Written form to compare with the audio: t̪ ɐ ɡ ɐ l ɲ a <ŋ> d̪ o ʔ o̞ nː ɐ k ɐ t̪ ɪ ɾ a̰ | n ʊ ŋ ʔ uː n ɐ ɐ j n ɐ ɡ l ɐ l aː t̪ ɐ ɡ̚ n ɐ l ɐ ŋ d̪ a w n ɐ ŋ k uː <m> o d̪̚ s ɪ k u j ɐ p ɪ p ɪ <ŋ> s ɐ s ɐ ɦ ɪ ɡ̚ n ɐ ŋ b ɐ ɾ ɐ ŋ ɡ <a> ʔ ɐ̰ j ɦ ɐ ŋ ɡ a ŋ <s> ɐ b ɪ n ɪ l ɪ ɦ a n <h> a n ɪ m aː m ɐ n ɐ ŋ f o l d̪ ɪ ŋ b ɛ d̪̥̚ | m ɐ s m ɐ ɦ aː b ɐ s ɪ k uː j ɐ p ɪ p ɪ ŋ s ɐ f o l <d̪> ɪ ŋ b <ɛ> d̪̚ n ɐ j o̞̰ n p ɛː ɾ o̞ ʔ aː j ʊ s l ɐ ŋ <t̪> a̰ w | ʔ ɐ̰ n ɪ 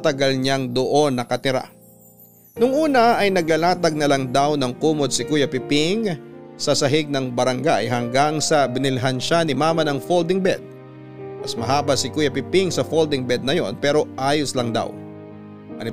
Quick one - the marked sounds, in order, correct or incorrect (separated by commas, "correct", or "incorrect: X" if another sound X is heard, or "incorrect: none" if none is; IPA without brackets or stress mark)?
correct, correct, correct, correct, correct, incorrect: ʃ, correct, correct, incorrect: d̪